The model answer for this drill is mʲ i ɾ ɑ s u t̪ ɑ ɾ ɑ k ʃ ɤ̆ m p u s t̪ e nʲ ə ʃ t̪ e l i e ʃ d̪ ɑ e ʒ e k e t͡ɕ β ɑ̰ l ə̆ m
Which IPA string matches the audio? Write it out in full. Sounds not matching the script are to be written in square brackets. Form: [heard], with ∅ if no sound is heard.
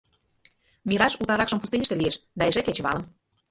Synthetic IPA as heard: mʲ i ɾ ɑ [ʃ] u t̪ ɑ ɾ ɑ k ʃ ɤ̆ m p u s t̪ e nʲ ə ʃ t̪ e l i e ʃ d̪ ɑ e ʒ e k e t͡ɕ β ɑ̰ l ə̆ m